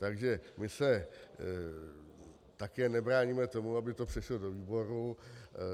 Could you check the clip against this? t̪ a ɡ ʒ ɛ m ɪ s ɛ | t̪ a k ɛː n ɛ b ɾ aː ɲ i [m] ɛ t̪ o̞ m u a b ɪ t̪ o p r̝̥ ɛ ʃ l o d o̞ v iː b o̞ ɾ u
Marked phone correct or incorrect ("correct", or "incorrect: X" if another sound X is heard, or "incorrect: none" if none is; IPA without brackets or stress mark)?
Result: correct